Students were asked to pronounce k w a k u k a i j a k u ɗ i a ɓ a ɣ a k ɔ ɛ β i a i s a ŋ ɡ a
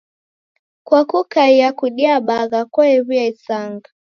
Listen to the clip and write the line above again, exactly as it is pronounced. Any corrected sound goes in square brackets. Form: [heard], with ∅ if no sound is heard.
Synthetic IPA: k w a k u k a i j a k u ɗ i a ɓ a ɣ a k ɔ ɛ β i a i s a ŋ ɡ a

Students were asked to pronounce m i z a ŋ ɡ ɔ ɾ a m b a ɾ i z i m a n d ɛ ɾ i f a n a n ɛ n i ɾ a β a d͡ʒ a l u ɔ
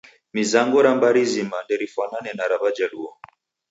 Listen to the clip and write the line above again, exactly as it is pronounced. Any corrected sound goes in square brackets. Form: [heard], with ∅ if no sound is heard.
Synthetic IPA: m i z a ŋ ɡ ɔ ɾ a m b a ɾ i z i m a n d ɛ ɾ i f a n a n ɛ n [a] ɾ a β a d͡ʒ a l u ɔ

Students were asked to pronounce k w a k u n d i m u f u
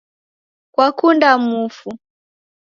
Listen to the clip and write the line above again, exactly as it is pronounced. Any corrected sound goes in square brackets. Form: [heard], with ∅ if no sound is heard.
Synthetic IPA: k w a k u n d [a] m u f u

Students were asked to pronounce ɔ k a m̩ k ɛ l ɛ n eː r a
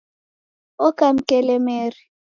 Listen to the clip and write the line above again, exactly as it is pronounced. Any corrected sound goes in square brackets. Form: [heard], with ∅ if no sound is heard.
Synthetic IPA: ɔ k a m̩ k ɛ l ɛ [m] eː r [i]

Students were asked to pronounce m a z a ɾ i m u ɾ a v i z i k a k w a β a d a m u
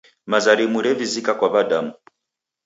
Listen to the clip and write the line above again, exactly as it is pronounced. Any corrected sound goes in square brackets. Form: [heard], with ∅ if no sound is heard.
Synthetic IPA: m a z a ɾ i m u ɾ [ɛ] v i z i k a k w a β a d a m u

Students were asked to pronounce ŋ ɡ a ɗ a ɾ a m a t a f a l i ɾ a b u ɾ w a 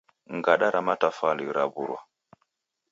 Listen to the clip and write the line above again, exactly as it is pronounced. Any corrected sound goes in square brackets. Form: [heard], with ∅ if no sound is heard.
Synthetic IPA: ŋ ɡ a ɗ a ɾ a m a t a f a l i ɾ a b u ɾ w a

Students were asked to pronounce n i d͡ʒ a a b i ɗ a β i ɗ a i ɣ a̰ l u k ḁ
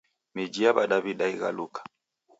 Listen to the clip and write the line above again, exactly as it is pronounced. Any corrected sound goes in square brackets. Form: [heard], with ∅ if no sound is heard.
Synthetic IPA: [m] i d͡ʒ [i] a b [a] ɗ a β i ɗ a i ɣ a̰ l u k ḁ

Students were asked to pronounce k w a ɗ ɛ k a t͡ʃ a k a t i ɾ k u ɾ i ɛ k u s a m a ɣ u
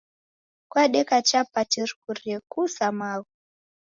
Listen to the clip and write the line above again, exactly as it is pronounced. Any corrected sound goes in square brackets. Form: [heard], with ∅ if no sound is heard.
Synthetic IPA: k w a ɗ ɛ k a t͡ʃ a [p] a t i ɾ k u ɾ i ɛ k u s a m a ɣ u

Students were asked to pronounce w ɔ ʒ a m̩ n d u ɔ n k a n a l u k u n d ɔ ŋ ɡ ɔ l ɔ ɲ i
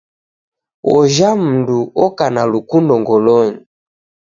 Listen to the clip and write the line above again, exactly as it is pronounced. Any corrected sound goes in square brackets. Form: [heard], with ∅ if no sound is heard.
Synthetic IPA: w ɔ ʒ a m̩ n d u ɔ [∅] k a n a l u k u n d ɔ ŋ ɡ ɔ l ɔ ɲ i

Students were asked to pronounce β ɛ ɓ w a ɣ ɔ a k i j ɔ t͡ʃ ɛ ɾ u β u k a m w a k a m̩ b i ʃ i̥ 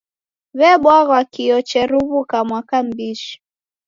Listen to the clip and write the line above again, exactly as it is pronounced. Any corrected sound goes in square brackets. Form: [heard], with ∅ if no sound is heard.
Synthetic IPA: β ɛ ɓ w a ɣ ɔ a k i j ɔ t͡ʃ ɛ ɾ u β u k a m w a k a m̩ b i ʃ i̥

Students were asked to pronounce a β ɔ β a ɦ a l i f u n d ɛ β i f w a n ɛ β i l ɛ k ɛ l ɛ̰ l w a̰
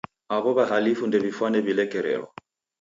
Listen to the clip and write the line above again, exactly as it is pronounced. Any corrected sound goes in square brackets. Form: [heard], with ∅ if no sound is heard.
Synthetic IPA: a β ɔ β a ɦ a l i f u n d ɛ β i f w a n ɛ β i l ɛ k ɛ [ɾ] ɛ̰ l w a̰

